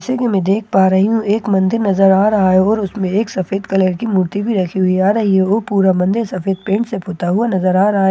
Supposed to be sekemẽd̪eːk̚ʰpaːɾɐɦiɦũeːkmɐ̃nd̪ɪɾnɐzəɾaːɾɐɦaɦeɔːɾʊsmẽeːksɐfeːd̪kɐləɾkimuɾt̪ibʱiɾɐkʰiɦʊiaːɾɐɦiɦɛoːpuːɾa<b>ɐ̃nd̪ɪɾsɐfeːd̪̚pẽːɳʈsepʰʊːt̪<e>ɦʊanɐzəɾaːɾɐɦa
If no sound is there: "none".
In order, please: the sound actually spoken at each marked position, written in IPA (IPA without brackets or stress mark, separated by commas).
m, a